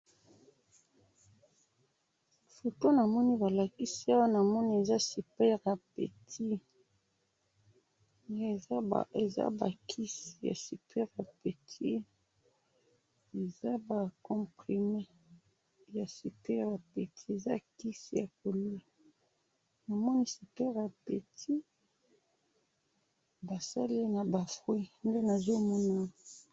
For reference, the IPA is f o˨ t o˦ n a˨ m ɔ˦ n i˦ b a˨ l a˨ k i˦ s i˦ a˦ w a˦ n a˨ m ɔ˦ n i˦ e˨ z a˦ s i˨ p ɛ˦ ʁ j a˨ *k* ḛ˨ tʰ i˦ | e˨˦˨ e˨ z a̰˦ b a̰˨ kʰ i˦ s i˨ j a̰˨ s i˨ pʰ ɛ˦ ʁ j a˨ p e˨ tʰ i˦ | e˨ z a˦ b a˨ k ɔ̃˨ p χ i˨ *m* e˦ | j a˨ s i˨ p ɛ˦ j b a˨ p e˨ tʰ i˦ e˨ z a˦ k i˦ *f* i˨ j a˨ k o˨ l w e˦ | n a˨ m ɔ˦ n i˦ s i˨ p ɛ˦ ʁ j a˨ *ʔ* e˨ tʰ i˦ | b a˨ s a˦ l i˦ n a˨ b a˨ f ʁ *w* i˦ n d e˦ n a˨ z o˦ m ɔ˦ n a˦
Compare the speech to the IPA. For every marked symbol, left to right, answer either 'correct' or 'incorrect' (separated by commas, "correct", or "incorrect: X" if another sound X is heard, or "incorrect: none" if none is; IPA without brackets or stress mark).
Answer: incorrect: p, correct, incorrect: s, incorrect: p, correct